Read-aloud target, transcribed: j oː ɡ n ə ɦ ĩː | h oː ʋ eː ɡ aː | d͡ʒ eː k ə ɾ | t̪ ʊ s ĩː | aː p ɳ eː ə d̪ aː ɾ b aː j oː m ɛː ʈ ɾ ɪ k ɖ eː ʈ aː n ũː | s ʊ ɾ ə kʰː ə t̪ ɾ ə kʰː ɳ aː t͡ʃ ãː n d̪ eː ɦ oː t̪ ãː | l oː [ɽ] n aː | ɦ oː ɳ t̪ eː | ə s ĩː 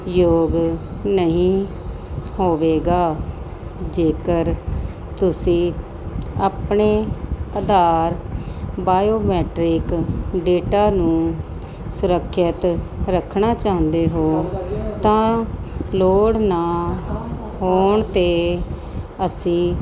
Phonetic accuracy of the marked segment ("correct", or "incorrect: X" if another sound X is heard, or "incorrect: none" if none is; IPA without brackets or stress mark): correct